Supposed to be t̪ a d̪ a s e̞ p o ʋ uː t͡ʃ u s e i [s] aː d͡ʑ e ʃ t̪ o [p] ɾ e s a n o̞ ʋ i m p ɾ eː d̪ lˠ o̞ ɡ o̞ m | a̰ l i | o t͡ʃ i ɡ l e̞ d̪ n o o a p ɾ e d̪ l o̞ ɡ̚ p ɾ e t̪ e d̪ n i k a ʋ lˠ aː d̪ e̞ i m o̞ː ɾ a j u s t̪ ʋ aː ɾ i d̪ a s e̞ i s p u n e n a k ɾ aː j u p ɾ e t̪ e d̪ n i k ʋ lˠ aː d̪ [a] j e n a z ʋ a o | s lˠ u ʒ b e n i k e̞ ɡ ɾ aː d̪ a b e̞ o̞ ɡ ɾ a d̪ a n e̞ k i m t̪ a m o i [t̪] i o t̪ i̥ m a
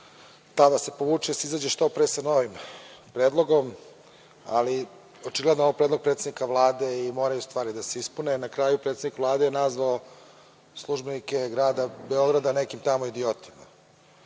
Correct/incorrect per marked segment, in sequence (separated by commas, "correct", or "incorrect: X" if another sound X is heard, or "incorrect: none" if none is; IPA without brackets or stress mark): incorrect: z, correct, incorrect: e, incorrect: d̪